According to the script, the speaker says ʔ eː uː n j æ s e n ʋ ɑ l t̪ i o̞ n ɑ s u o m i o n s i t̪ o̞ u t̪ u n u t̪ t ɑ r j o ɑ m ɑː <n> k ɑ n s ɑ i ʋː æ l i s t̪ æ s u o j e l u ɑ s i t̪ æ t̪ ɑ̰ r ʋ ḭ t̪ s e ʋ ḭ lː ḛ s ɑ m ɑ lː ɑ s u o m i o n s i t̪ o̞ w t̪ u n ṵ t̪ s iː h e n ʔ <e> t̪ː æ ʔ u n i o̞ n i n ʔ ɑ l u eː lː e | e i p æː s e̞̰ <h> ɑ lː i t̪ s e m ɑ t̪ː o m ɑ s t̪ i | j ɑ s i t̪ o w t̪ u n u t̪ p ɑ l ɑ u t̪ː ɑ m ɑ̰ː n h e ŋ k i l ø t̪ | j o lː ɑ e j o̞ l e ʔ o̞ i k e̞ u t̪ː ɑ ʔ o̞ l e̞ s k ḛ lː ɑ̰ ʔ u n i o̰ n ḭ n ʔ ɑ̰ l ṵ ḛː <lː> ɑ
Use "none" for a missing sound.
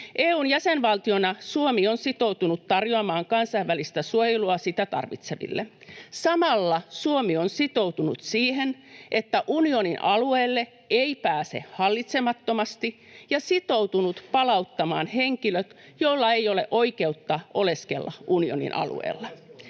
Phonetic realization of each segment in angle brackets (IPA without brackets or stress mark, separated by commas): ŋ, e, h, lː